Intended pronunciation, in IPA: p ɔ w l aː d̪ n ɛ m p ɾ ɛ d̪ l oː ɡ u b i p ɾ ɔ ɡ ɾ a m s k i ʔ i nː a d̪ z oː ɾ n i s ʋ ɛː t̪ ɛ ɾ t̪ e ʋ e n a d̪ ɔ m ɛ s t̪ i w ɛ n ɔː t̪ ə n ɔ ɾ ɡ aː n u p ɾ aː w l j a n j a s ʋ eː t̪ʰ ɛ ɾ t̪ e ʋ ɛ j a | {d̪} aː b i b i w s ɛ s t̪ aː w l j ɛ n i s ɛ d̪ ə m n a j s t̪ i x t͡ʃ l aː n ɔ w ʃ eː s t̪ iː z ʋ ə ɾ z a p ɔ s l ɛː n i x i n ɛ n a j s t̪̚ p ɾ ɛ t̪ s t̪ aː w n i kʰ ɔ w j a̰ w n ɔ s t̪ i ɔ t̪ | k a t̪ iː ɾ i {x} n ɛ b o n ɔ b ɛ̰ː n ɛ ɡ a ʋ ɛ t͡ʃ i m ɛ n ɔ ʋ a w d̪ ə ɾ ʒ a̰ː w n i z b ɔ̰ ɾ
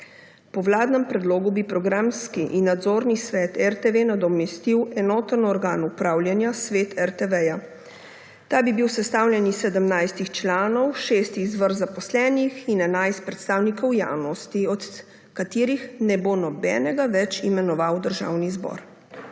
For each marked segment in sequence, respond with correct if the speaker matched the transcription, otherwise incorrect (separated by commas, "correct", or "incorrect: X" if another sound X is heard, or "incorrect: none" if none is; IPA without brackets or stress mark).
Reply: incorrect: t̪, correct